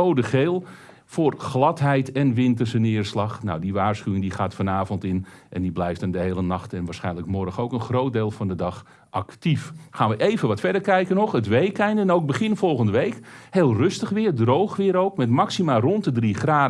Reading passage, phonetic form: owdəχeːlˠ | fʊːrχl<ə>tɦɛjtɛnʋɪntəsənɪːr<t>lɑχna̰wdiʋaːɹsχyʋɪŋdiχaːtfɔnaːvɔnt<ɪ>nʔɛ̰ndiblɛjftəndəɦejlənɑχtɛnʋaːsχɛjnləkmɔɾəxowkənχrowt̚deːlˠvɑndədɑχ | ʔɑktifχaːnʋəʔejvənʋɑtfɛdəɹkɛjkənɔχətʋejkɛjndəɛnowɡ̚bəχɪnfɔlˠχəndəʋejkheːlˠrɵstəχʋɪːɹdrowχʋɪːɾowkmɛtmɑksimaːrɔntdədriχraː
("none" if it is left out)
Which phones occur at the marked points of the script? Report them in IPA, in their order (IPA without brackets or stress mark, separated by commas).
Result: ɑ, s, ɪ